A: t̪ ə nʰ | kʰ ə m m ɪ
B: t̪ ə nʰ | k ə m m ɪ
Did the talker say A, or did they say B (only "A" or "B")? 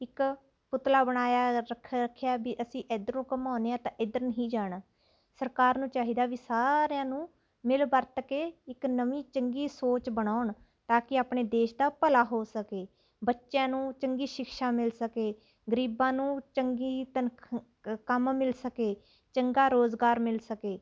B